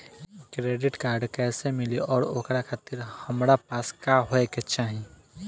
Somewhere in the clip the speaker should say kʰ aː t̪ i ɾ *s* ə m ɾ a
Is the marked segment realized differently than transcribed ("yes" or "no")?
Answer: yes